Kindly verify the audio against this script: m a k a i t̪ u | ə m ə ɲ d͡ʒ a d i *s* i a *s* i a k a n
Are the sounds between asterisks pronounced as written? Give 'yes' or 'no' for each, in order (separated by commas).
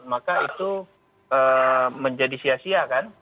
yes, yes